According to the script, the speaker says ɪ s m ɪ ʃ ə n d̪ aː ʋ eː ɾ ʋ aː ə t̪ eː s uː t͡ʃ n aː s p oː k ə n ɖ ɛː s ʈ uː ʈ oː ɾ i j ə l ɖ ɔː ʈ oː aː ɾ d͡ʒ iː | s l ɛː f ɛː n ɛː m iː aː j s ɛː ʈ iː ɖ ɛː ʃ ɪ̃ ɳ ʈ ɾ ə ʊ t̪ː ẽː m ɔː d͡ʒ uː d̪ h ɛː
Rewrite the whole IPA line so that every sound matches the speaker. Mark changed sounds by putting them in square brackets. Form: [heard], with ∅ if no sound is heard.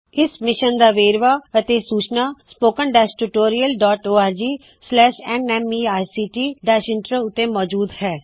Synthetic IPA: ɪ s m ɪ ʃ ə n d̪ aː ʋ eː ɾ ʋ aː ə t̪ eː s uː t͡ʃ n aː s p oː k ə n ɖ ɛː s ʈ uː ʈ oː ɾ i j ə l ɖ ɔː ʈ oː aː ɾ d͡ʒ iː | s l ɛː [ʃ] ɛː n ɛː m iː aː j s [iː] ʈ iː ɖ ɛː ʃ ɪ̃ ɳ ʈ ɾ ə ʊ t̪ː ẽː m ɔː d͡ʒ uː d̪ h ɛː